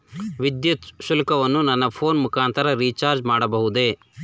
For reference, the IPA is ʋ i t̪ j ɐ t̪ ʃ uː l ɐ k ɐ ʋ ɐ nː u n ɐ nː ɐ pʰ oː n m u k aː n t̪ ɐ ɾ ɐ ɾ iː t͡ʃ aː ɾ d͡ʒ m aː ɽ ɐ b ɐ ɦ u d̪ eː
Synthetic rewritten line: ʋ i d̪ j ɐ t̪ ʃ u l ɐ k ɐ ʋ ɐ nː u n ɐ nː ɐ pʰ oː n m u k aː n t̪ ɐ ɾ ɐ ɾ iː t͡ʃ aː ɾ d͡ʒ m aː ɽ ɐ b ɐ ɦ u d̪ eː